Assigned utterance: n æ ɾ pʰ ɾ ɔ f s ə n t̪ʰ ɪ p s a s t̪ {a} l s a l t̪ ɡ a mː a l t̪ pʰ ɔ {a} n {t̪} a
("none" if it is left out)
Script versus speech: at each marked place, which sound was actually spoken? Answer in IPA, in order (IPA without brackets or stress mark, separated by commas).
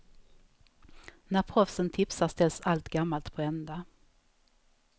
ɛ, ɛ, d̪